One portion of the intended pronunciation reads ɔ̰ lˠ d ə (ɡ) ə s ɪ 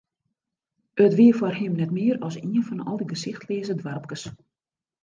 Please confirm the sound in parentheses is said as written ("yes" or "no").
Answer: yes